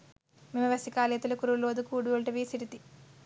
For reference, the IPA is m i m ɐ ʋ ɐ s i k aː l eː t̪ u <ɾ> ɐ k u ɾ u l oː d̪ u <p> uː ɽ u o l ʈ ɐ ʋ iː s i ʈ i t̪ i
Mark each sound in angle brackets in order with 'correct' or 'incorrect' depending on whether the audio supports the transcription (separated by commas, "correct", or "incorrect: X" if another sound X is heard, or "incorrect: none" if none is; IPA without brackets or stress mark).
incorrect: l, incorrect: k